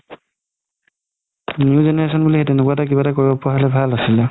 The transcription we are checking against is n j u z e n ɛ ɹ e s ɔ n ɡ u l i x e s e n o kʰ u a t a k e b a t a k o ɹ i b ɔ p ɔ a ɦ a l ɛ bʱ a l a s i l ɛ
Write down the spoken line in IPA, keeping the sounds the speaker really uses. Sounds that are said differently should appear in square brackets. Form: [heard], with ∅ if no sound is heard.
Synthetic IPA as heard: n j u z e n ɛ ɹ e s ɔ n [b] u l i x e [t] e n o [k] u a t a k [i] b a t a k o ɹ i b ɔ p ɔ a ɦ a l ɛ bʱ a l a s i l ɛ